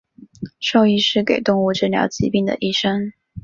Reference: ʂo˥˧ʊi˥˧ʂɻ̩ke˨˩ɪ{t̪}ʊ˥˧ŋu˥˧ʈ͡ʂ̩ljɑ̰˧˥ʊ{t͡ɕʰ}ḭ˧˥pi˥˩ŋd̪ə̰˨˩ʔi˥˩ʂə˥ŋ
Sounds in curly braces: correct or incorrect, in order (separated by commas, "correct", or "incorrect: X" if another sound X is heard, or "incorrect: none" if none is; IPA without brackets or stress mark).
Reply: correct, incorrect: t͡ɕ